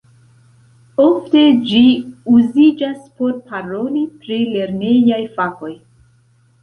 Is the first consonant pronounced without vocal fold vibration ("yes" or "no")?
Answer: yes